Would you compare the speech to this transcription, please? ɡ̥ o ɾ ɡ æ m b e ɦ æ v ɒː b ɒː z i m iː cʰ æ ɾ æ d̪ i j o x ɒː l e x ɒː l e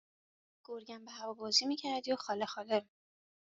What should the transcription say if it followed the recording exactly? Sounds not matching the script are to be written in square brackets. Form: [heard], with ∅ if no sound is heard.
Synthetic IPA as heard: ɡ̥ o ɾ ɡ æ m b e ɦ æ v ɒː b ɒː z i m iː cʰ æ ɾ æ d̪ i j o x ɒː l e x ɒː l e